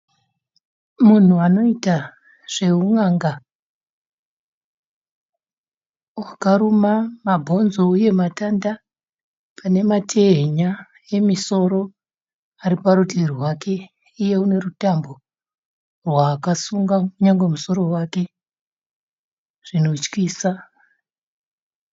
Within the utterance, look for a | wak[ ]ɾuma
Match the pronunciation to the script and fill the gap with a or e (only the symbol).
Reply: a